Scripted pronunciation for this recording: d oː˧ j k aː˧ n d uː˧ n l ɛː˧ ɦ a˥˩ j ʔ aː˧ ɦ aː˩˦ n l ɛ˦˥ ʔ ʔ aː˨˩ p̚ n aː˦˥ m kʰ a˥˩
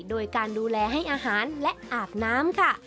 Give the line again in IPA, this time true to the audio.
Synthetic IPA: d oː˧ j k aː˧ n d uː˧ l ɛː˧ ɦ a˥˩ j ʔ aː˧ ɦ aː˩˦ n l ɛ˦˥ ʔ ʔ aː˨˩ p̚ n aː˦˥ m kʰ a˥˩

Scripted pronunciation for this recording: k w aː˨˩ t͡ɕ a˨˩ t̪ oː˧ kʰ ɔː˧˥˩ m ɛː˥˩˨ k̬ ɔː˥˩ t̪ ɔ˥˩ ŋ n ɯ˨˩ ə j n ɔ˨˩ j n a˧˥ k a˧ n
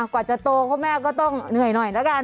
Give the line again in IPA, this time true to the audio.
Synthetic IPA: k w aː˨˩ t͡ɕ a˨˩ t̪ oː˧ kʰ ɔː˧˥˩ m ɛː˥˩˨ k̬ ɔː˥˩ t̪ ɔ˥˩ ŋ n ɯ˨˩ ə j n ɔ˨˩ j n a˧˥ k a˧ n

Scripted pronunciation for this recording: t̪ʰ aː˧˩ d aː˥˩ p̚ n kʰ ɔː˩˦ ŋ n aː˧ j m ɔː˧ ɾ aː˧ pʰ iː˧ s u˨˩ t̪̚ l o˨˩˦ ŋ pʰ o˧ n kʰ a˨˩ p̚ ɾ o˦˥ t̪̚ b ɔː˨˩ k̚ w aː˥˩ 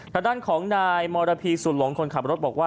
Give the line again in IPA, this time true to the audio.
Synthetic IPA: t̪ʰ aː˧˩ d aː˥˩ n kʰ ɔː˩˦ ŋ n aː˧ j m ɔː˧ ɾ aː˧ pʰ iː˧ s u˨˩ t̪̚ l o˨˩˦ ŋ kʰ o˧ n kʰ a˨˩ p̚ ɾ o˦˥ t̪̚ b ɔː˨˩ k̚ w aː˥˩

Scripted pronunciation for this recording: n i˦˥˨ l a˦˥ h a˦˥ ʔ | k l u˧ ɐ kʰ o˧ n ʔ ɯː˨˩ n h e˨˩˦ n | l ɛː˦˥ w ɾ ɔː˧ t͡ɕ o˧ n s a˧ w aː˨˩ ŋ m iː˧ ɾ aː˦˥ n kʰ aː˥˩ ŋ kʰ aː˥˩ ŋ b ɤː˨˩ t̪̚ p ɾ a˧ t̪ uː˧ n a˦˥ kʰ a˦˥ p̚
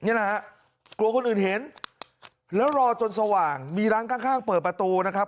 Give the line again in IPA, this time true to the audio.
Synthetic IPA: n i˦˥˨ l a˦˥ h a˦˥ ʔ | k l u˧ ɐ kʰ o˧ n ʔ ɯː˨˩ n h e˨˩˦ n | l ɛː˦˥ w ɾ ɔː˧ t͡ɕ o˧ n s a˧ w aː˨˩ ŋ m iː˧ ɾ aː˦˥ n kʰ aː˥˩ ŋ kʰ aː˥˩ ŋ p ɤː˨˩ t̪̚ p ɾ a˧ t̪ uː˧ n a˦˥ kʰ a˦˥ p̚

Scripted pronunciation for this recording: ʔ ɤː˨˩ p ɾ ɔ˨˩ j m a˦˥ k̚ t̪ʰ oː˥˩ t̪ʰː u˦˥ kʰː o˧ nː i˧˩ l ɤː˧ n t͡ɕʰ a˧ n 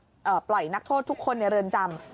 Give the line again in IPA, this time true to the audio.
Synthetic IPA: ʔ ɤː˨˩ p l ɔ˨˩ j n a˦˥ k̚ t̪ʰ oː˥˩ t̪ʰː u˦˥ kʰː o˧ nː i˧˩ ɾ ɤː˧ n t͡ɕ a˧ m

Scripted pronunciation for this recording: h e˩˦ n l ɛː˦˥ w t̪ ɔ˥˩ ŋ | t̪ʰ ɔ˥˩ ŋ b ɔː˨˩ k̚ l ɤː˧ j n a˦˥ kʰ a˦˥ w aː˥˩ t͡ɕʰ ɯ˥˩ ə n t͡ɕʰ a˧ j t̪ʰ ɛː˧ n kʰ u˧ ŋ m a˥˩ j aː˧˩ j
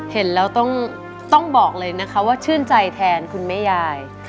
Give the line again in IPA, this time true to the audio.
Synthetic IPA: h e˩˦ n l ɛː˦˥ w t̪ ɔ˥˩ ŋ | t̪ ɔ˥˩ ŋ b ɔː˨˩ k̚ l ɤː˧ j n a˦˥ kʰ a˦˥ w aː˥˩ t͡ɕʰ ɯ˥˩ ə n t͡ɕ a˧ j t̪ʰ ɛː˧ n kʰ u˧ n m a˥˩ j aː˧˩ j

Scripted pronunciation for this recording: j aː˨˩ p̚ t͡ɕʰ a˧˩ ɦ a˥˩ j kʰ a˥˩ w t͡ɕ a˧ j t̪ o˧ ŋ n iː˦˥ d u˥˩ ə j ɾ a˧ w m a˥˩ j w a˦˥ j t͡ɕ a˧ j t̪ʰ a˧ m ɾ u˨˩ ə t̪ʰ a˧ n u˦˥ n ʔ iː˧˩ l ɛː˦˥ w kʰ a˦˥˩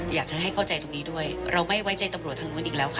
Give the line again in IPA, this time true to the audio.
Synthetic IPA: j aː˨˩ k̚ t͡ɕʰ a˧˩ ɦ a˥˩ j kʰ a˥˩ w t͡ɕ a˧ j t̪ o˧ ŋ n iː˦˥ d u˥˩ ə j ɾ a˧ w m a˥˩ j w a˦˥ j t͡ɕ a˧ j t̪ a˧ m ɾ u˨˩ ə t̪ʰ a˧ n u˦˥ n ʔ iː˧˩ l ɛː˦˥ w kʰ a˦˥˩

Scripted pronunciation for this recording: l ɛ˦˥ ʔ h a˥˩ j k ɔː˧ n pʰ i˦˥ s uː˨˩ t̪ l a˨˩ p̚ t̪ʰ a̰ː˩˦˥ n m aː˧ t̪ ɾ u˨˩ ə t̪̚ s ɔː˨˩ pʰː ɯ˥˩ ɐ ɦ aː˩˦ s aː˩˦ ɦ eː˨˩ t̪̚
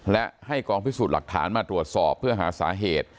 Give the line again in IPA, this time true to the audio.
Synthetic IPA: l ɛ˦˥ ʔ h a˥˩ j k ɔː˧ ŋ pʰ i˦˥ s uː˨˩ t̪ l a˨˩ k̚ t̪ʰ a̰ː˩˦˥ n m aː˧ t̪ ɾ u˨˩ ə t̪̚ s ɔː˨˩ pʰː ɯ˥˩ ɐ ɦ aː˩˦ s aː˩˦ ɦ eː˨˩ t̪̚

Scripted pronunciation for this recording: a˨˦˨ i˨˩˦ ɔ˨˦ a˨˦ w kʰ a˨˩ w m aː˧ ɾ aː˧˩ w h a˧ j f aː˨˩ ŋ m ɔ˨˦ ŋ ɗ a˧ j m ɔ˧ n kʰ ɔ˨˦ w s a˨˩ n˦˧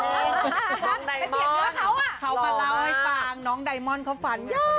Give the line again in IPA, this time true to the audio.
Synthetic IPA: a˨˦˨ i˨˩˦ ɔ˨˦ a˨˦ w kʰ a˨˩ w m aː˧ l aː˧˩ w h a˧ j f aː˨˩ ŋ n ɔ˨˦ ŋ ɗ a˨˩ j m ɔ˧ n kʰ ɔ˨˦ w f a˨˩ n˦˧

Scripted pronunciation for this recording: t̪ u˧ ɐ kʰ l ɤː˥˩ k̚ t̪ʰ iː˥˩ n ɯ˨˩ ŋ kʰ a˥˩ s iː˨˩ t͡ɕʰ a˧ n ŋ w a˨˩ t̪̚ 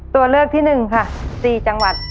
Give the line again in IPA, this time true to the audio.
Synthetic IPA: t̪ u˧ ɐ l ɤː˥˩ k̚ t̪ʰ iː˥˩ n ɯ˨˩ ŋ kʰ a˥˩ s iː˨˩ t͡ɕ a˧ ŋ w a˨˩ t̪̚

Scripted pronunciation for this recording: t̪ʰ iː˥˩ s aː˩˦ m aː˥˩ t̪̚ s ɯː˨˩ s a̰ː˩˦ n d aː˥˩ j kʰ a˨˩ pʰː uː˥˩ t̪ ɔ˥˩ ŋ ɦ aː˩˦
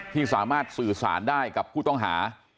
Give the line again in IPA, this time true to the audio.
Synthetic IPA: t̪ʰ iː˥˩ s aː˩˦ m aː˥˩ t̪̚ s ɯː˨˩ s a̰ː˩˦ n d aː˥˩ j k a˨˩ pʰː uː˥˩ t̪ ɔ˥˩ ŋ ɦ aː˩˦

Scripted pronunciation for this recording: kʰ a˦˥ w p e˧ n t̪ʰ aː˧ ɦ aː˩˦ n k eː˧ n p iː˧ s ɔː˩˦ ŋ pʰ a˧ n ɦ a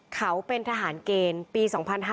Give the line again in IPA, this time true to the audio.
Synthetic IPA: kʰ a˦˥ w p e˧ n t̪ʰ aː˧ ɦ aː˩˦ n k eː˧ n p iː˧ s ɔː˩˦ ŋ pʰ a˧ n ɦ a

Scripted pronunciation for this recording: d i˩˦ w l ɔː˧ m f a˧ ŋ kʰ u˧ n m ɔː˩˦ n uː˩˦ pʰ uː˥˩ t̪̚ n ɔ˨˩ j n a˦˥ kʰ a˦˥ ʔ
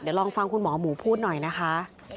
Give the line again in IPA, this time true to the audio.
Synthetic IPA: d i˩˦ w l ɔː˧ ŋ f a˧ ŋ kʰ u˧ n m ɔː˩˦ m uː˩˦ pʰ uː˥˩ t̪̚ n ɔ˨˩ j n a˦˥ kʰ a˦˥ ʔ

